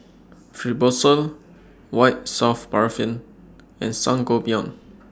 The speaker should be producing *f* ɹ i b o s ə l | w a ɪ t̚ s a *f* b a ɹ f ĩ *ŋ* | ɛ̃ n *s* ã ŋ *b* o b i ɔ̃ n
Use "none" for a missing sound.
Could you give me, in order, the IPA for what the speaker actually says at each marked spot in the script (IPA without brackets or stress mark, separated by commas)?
f, f, n, s, ɡ